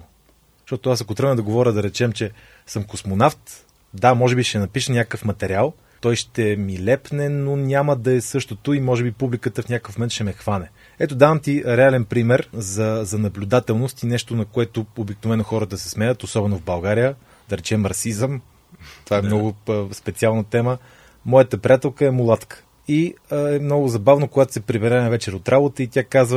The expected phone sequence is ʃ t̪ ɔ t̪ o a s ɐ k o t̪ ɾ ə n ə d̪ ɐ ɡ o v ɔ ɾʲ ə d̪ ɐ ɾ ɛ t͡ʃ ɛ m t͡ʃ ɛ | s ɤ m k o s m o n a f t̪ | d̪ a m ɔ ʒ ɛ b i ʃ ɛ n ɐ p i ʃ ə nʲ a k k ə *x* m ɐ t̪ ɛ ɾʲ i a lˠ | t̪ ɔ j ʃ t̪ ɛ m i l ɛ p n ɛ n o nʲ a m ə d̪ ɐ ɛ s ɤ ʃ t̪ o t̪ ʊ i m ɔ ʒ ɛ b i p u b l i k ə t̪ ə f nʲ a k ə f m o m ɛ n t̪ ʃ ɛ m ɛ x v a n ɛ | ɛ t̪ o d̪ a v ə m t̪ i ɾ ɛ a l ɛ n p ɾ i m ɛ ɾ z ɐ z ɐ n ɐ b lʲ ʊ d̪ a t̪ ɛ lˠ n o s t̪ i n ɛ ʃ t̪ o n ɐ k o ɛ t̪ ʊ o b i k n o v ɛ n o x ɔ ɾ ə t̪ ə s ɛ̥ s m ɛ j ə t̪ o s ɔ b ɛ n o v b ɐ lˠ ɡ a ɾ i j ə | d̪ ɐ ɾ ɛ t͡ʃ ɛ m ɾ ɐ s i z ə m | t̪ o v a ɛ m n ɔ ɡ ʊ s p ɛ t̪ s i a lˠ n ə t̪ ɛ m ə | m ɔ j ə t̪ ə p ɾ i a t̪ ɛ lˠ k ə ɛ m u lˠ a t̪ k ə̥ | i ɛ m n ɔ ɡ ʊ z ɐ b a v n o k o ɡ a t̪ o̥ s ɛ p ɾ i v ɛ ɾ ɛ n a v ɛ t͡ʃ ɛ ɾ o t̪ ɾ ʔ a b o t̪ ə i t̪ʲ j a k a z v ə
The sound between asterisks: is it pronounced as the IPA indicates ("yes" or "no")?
no